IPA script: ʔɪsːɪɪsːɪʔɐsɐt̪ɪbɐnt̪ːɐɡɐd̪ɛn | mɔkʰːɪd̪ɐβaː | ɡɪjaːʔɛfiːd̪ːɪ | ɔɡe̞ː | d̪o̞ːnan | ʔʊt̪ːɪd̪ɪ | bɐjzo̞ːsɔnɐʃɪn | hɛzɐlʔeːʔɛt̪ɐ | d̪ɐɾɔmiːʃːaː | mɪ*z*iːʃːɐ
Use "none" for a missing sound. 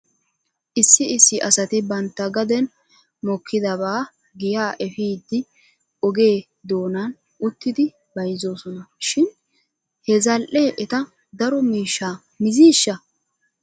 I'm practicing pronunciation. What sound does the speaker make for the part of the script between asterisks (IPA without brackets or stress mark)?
z